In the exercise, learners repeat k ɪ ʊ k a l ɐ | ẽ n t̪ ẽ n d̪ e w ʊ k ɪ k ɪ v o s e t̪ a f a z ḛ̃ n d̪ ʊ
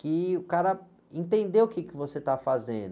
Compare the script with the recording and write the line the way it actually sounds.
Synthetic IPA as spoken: k ɪ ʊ k a ɾ ɐ | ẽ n t̪ ẽ n d̪ e w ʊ k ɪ k ɪ v o s e t̪ a f a z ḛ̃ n d̪ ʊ

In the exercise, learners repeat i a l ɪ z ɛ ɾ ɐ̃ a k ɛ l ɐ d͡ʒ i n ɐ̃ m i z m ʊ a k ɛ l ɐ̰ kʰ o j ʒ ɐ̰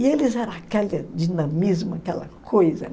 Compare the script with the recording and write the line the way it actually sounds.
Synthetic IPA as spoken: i e l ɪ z ɛ ɾ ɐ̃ a k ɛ l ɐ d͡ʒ i n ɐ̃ m i z m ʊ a k ɛ l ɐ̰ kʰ o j z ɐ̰

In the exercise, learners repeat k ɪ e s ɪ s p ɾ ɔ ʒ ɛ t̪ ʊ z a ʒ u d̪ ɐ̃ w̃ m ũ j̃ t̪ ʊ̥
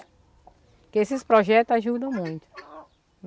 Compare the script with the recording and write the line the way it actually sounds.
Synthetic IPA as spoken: k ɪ e s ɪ s p ɾ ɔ ʒ ɛ t̪ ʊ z a ʒ u d̪ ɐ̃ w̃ m ũ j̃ t̪ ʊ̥

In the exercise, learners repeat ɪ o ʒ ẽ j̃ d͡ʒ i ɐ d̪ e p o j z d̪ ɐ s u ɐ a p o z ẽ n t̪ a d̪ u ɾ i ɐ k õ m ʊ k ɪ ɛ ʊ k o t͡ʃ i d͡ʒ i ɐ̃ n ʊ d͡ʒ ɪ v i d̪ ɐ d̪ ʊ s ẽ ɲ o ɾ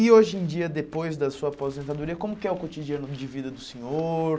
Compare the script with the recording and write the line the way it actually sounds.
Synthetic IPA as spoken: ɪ o ʒ ẽ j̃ d͡ʒ i ɐ d̪ e p o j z d̪ ɐ s u ɐ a p o z ẽ n t̪ a d̪ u ɾ i ɐ k õ m ʊ k ɪ ɛ ʊ k o t͡ʃ i d͡ʒ i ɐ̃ n ʊ d͡ʒ ɪ v i d̪ ɐ d̪ ʊ s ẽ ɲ o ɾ

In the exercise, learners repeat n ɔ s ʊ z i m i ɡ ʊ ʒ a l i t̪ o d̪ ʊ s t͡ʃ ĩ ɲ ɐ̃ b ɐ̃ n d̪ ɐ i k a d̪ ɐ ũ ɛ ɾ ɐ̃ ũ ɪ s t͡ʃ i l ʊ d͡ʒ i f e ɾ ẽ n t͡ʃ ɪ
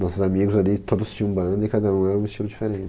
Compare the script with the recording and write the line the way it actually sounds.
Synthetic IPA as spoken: n ɔ s ʊ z a m i ɡ ʊ z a l i t̪ o d̪ ʊ s t͡ʃ ĩ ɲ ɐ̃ b ɐ̃ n d̪ ɐ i k a d̪ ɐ ũ ɛ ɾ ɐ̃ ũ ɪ s t͡ʃ i l ʊ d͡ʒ i f e ɾ ẽ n t͡ʃ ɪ

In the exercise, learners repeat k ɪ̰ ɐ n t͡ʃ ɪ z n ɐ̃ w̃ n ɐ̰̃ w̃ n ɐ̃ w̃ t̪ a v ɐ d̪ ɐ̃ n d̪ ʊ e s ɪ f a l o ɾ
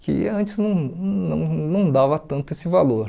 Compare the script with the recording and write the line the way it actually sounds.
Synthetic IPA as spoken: k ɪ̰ ɐ̃ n t͡ʃ ɪ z n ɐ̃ w̃ n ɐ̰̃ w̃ n ɐ̃ w̃ d̪ a v ɐ t̪ ɐ̃ n t̪ ʊ e s ɪ v a l o ɾ

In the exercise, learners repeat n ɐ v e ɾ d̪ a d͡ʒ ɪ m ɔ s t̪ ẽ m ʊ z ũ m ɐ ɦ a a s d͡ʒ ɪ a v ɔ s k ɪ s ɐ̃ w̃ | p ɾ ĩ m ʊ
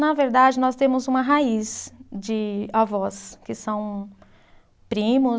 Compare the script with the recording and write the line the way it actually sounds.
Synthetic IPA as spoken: n ɐ v e ɾ d̪ a d͡ʒ ɪ n ɔ s t̪ ẽ m ʊ z ũ m ɐ ɦ a i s d͡ʒ ɪ a v ɔ s k ɪ s ɐ̃ w̃ | p ɾ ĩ m ʊ

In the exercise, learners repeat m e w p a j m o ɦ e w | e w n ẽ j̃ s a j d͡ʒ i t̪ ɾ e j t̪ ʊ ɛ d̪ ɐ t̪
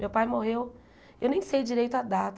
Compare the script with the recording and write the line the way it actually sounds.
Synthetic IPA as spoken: m e w p a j m o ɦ e w | e w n ẽ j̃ s e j d͡ʒ i ɾ e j t̪ ʊ a d̪ a t̪

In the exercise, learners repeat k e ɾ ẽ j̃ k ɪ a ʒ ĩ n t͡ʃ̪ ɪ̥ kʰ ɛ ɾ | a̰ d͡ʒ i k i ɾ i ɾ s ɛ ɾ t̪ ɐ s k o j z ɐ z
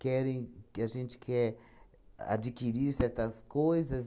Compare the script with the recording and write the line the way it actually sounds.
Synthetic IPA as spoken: k ɛ ɾ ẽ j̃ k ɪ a ʒ ẽ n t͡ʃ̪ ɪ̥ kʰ ɛ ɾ | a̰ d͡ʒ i k i ɾ i ɾ s ɛ ɾ t̪ ɐ s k o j z ɐ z

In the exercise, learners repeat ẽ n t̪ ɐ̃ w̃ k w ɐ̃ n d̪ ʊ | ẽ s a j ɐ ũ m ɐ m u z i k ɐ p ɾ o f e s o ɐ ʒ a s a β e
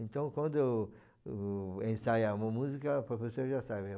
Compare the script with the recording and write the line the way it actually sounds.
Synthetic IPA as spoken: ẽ n t̪ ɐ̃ w̃ k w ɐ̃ n d̪ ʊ | ẽ s a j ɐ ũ m ɐ m u z i k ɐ p ɾ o f e s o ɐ ʒ a s a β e

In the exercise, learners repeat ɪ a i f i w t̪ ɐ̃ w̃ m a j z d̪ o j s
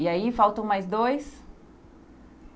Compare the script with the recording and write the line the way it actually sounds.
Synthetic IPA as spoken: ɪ a i f a w t̪ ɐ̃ w̃ m a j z d̪ o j s

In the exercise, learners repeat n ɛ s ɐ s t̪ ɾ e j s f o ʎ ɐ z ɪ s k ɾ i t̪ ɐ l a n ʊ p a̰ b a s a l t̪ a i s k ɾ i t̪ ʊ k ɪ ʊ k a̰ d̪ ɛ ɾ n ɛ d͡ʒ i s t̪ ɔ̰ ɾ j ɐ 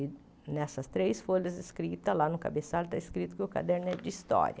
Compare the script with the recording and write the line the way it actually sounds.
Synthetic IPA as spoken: n ɛ s ɐ s t̪ ɾ e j s f o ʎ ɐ z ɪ s k ɾ i t̪ ɐ l a n ʊ k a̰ b e s a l t̪ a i s k ɾ i t̪ ʊ k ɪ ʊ k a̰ d̪ ɛ ɾ n ɛ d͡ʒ i s t̪ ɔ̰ ɾ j ɐ

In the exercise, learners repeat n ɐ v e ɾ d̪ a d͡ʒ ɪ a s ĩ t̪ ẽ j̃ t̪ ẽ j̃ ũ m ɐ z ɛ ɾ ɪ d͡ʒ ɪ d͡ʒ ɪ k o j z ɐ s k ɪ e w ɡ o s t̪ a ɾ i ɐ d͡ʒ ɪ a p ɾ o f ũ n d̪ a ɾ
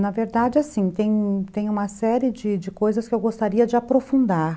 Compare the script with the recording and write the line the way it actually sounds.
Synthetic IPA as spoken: n ɐ v e ɾ d̪ a d͡ʒ ɪ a s ĩ t̪ ẽ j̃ t̪ ẽ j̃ ũ m ɐ s ɛ ɾ ɪ d͡ʒ ɪ d͡ʒ ɪ k o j z ɐ s k ɪ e w ɡ o s t̪ a ɾ i ɐ d͡ʒ ɪ a p ɾ o f ũ n d̪ a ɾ

